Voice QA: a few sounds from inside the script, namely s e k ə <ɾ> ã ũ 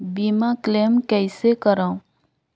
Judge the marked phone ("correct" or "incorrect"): correct